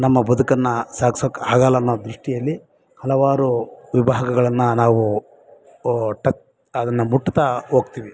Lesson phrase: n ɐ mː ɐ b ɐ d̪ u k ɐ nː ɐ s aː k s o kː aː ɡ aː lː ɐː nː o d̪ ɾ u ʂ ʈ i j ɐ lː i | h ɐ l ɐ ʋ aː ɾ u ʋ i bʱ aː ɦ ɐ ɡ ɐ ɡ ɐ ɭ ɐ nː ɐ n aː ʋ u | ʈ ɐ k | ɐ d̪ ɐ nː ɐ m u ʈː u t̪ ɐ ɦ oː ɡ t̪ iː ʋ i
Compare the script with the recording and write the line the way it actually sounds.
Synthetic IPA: n ɐ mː ɐ b ɐ d̪ u k ɐ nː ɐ s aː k s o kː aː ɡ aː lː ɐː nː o d̪ ɾ u ʂ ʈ i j ɐ lː i | h ɐ l ɐ ʋ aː ɾ u ʋ i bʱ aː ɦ ɐ ɡ ɐ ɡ ɐ ɭ ɐ nː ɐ n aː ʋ u | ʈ ɐ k | ɐ d̪ ɐ nː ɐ m u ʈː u t̪ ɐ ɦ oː ɡ t̪ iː ʋ i